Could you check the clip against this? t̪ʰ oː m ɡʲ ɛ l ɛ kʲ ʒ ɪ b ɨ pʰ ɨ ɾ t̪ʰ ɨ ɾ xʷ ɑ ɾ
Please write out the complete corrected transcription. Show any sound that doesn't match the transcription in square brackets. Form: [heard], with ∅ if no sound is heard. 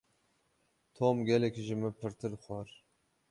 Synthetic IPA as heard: t̪ʰ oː m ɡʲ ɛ l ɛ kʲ ʒ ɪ [m] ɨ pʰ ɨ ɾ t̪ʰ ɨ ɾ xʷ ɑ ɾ